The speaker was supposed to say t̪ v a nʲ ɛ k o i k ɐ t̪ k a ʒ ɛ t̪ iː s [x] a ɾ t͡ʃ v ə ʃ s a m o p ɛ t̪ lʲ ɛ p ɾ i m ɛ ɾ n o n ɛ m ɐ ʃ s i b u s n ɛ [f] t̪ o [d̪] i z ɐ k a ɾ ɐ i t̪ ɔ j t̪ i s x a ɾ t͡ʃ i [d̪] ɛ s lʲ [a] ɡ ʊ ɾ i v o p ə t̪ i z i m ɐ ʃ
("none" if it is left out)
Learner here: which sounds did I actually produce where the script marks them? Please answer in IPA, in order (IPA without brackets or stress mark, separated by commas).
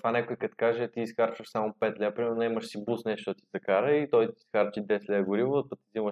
x, ʃ, t̪, d̪, ɛ